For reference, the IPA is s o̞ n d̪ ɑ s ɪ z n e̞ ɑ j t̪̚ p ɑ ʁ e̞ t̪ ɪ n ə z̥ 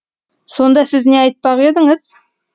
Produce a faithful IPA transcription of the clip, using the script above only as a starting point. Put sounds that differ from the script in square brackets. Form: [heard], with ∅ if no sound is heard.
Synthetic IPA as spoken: s o̞ n d̪ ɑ s ɪ z n e̞ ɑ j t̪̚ p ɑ ʁ e̞ [d̪] ɪ [ŋ] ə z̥